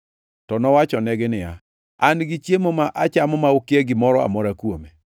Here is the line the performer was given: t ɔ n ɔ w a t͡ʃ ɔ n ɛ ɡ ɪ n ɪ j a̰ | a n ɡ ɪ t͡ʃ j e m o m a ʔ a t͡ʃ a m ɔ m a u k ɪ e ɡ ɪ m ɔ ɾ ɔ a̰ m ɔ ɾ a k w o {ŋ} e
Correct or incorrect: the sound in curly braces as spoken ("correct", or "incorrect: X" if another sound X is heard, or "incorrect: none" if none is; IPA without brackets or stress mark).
incorrect: m